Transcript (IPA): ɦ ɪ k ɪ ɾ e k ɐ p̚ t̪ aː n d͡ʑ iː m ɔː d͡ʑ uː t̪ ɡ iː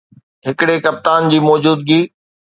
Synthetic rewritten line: ɦ ɪ k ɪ ɽ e k ɐ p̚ t̪ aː n d͡ʑ iː m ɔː d͡ʑ uː d̪ ɡ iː